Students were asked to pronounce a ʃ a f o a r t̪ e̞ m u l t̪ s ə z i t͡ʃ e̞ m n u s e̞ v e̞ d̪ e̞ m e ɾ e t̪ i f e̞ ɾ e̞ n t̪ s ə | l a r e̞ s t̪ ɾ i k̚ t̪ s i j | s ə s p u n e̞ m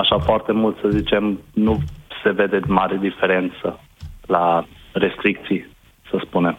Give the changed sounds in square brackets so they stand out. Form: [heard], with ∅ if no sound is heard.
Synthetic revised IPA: a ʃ a f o a r t̪ e̞ m u l t̪ s ə z i t͡ʃ e̞ m n u s e̞ v e̞ d̪ e̞ m [a] ɾ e [d̪] i f e̞ ɾ e̞ n t̪ s ə | l a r e̞ s t̪ ɾ i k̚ t̪ s i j | s ə s p u n e̞ m